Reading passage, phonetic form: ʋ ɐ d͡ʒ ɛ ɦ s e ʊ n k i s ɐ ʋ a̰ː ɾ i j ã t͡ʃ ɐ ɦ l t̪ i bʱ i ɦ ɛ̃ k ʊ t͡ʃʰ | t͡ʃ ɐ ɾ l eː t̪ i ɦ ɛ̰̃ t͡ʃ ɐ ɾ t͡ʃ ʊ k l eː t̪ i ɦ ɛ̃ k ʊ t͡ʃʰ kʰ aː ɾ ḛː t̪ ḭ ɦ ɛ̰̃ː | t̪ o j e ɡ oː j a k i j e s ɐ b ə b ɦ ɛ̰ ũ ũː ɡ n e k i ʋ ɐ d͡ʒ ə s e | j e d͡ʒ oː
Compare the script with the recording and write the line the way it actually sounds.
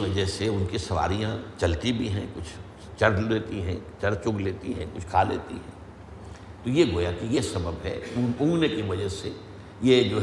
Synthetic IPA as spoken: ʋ ɐ d͡ʒ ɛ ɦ s e ʊ n k i s ɐ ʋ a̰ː ɾ i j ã t͡ʃ ɐ l t̪ i bʱ i ɦ ɛ̃ k ʊ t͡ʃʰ | t͡ʃ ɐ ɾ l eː t̪ i ɦ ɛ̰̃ t͡ʃ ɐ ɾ t͡ʃ ʊ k l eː t̪ i ɦ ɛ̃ k ʊ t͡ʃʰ kʰ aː l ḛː t̪ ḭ ɦ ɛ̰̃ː | t̪ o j e ɡ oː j a k i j e s ɐ b ə b ɦ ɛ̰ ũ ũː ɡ n e k i ʋ ɐ d͡ʒ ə s e | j e d͡ʒ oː